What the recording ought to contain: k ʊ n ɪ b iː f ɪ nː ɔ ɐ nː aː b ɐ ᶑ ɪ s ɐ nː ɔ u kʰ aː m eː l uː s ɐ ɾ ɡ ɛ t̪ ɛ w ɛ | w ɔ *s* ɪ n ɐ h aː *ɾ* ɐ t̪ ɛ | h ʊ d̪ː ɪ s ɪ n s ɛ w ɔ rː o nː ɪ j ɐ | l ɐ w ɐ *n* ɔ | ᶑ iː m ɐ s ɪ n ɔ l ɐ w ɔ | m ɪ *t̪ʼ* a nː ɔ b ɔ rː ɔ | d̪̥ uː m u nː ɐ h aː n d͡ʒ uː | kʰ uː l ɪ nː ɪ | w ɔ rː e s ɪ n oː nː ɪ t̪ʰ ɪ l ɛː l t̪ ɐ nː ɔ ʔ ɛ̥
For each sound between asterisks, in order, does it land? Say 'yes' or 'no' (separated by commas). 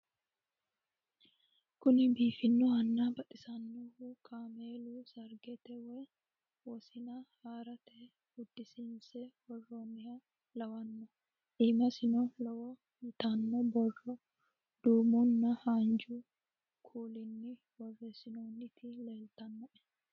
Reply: yes, yes, no, no